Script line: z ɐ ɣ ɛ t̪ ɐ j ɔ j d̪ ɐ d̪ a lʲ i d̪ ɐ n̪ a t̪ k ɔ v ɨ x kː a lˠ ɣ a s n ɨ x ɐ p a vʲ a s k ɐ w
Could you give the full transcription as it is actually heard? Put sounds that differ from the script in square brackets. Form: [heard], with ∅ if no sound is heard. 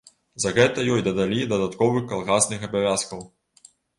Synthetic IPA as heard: z ɐ ɣ ɛ t̪ ɐ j ɔ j d̪ ɐ d̪ a lʲ i d̪ ɐ [d̪] a t̪ k ɔ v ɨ x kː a lˠ ɣ a s n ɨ x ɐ [b] a vʲ a s k ɐ w